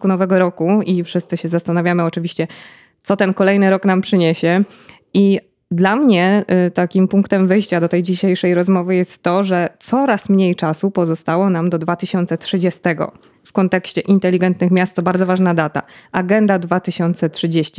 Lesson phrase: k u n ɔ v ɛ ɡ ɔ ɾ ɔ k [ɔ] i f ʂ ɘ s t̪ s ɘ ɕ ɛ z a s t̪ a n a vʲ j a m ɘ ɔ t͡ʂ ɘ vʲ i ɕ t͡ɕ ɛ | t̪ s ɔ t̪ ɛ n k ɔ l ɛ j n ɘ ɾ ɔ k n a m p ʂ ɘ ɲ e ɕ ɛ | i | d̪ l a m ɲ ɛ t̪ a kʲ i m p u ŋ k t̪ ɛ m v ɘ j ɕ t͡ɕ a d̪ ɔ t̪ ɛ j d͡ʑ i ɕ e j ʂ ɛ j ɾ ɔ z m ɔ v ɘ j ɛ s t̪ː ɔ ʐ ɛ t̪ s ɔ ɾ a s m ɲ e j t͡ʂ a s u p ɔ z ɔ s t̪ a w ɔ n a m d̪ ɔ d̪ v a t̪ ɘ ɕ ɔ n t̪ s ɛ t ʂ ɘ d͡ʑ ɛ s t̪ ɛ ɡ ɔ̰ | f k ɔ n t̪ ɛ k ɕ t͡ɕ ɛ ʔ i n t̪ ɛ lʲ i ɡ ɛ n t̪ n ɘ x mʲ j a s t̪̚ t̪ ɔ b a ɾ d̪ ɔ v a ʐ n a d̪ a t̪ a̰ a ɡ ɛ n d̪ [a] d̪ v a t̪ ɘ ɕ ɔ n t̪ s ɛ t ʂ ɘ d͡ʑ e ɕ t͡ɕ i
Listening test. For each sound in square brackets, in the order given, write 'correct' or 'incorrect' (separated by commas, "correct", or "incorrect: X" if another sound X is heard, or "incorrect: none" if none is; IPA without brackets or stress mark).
incorrect: u, correct